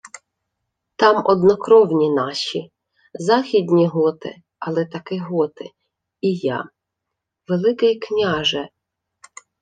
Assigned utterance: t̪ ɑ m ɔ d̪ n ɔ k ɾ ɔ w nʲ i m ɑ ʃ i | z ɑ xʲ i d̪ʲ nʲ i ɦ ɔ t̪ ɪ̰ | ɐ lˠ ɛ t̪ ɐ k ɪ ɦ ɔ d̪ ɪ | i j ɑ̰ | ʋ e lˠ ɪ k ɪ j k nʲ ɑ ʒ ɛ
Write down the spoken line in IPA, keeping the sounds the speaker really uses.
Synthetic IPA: t̪ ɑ m ɔ d̪ n ɔ k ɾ ɔ w nʲ i n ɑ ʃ i | z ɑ xʲ i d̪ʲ nʲ i ɦ ɔ t̪ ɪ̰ | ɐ lˠ ɛ t̪ ɐ k ɪ ɦ ɔ t̪ ɪ | i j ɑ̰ | ʋ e lˠ ɪ k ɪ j k nʲ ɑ ʒ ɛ